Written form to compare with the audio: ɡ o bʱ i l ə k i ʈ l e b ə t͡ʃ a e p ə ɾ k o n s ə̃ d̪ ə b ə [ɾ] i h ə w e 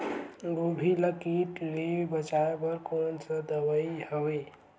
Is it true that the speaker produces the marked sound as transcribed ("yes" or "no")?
no